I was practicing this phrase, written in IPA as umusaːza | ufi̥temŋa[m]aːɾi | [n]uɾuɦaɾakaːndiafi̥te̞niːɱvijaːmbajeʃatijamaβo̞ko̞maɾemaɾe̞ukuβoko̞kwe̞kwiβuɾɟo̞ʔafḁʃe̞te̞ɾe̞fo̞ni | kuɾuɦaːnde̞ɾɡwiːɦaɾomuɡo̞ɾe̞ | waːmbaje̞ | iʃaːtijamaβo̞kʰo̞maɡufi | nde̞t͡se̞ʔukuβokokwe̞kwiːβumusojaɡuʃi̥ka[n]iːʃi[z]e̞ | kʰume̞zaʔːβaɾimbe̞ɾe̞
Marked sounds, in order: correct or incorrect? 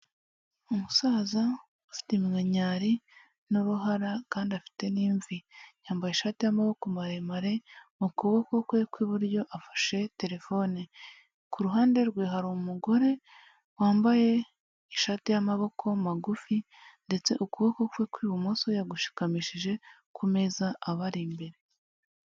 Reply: incorrect: ɲ, correct, incorrect: m, incorrect: ʒ

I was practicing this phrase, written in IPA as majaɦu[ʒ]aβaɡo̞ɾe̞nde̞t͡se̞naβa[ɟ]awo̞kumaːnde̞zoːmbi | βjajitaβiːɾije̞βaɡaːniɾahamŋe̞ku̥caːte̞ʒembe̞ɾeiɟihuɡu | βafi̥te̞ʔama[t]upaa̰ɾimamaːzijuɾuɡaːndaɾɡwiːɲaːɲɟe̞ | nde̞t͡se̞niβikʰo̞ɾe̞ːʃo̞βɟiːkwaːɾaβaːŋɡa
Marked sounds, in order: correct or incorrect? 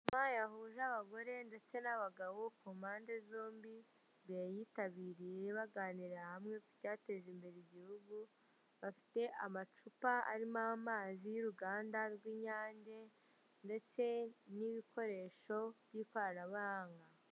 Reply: correct, incorrect: ɡ, incorrect: t͡ʃ

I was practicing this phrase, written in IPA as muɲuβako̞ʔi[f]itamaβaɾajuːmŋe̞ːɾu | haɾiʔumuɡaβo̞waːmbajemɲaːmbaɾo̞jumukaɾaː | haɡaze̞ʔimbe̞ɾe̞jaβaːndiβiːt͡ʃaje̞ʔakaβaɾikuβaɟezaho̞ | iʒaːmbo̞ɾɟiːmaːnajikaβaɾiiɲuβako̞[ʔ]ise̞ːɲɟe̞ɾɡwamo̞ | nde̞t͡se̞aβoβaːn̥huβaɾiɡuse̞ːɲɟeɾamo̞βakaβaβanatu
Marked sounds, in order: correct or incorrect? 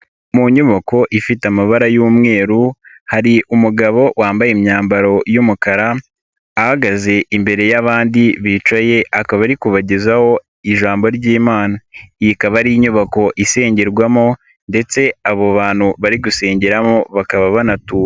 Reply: correct, correct

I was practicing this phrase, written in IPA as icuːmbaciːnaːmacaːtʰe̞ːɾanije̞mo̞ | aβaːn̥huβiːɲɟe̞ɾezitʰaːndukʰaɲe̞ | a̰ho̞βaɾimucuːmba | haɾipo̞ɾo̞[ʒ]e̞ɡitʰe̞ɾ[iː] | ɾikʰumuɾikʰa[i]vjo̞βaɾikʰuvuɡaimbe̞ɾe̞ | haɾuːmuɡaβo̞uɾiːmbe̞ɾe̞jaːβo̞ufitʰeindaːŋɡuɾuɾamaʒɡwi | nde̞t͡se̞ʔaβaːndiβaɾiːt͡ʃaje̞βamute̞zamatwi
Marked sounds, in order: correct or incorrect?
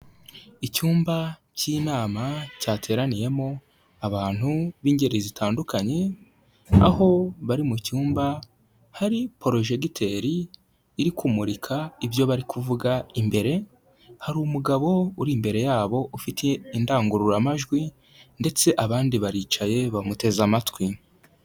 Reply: correct, correct, correct

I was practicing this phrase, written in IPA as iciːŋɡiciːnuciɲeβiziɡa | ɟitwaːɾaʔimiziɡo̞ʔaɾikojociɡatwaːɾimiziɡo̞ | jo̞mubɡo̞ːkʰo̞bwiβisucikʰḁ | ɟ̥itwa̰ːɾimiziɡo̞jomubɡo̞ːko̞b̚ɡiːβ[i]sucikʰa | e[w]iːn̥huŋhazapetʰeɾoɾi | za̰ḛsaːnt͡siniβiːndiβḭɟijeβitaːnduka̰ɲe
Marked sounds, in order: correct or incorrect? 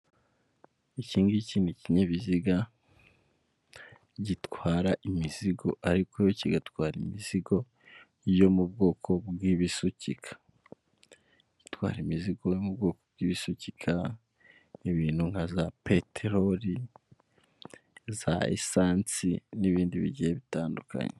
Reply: correct, incorrect: β

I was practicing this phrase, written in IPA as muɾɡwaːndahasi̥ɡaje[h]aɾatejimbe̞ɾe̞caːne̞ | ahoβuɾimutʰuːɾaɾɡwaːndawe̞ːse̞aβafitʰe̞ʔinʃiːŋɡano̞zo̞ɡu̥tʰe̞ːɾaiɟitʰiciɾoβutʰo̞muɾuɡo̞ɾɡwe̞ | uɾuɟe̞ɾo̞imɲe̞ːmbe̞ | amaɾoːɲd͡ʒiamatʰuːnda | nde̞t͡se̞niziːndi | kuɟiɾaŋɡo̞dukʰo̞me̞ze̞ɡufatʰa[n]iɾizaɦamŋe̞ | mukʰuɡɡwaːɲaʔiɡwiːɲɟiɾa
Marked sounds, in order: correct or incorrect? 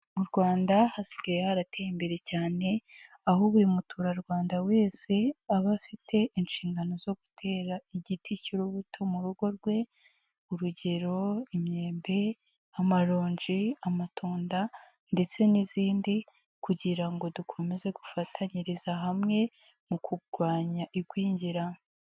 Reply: correct, incorrect: ɲ

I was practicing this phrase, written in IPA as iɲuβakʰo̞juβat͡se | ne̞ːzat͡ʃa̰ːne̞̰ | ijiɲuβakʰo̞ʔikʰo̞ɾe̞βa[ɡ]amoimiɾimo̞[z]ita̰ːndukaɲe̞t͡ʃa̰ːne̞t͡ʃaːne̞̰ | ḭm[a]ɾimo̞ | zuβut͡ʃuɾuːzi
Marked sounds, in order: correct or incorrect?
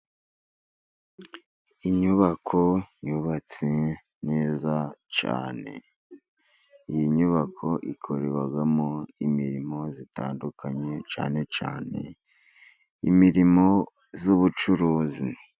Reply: correct, correct, incorrect: i

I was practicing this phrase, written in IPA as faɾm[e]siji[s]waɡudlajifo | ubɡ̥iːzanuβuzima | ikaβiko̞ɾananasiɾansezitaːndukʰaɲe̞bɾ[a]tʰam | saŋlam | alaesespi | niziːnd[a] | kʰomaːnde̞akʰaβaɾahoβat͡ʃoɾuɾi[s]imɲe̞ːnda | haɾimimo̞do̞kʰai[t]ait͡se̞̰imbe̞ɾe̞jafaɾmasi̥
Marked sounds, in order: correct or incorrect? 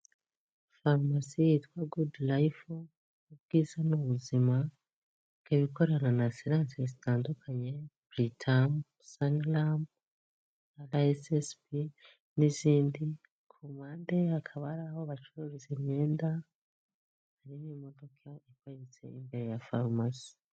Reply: incorrect: a, incorrect: t, incorrect: i, incorrect: i, incorrect: z, incorrect: k

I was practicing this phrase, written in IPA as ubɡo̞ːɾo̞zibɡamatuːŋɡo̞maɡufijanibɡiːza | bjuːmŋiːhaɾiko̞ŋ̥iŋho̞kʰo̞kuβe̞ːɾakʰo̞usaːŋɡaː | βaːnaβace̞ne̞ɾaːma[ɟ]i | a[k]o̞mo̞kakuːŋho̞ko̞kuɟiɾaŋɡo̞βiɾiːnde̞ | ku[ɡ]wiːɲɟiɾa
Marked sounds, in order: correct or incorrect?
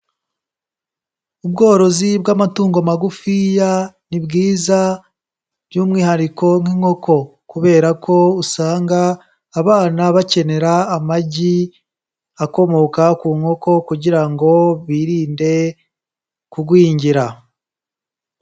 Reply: correct, correct, correct

